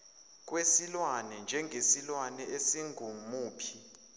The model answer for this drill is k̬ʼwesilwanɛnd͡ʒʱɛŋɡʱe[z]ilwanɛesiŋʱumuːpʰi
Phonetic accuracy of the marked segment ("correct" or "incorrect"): incorrect